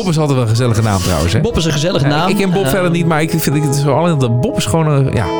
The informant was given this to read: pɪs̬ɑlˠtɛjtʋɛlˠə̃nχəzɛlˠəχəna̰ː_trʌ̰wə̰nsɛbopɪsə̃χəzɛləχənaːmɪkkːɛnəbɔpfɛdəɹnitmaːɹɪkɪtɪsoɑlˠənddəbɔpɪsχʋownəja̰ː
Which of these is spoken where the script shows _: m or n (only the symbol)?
m